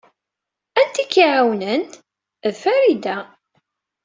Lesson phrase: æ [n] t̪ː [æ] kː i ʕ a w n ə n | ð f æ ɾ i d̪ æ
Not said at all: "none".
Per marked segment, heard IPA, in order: n, i

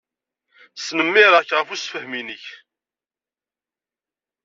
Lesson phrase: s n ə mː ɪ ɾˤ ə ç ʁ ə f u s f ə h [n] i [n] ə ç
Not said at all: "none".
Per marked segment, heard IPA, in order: m, n

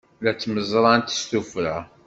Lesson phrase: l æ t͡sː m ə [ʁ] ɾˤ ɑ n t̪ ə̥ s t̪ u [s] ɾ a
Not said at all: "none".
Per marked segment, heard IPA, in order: z, f

